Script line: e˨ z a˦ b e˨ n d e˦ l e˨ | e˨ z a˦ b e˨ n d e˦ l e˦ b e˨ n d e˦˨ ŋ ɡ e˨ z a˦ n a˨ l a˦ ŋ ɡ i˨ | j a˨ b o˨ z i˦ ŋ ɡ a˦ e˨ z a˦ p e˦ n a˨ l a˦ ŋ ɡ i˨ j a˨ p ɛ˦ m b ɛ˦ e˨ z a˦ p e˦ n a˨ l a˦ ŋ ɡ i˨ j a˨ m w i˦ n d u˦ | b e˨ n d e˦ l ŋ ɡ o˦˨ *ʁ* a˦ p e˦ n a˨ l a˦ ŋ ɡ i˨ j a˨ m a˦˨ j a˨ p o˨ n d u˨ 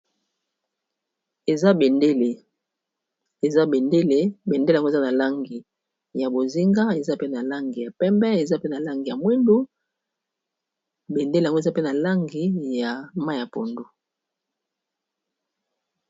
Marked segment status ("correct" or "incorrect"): incorrect